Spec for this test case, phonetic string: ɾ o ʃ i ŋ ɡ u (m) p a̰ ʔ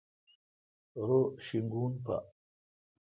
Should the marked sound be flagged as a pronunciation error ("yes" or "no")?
yes